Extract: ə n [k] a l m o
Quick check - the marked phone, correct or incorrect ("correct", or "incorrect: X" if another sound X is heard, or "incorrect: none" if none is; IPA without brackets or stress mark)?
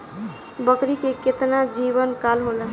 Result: correct